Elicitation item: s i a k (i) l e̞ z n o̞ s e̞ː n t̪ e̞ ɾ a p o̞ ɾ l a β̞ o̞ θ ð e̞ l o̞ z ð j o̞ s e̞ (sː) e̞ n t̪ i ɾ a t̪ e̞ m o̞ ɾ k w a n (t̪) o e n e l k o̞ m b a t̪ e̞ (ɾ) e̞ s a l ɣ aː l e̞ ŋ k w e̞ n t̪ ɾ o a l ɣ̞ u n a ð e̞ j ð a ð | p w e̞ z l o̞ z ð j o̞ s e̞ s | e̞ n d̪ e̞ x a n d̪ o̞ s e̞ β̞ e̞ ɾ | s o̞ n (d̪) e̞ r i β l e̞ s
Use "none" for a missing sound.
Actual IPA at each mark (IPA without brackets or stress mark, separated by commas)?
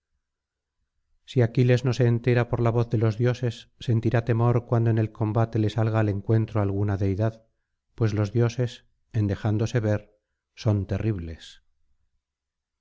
i, sː, d̪, l, t̪